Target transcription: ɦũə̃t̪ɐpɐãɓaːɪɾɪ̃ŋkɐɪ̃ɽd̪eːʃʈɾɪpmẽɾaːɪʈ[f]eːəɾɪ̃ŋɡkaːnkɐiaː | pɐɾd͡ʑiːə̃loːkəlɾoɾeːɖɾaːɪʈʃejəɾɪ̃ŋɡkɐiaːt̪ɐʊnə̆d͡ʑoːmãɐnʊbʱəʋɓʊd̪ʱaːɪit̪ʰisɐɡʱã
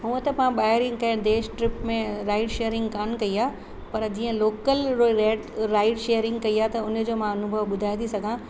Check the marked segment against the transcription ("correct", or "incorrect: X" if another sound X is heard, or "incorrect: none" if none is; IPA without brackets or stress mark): incorrect: ʃ